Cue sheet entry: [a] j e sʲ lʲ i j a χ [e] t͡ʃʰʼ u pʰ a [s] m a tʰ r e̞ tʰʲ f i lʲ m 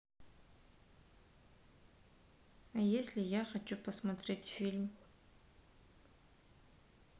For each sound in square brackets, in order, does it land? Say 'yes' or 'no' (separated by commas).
yes, no, yes